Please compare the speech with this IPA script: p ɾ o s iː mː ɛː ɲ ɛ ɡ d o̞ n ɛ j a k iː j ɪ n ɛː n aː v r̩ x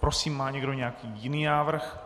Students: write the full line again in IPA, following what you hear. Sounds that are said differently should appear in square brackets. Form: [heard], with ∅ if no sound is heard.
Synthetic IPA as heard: p ɾ o s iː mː [aː] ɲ ɛ ɡ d o̞ [ɲ] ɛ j a k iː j ɪ n [iː] n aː v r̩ x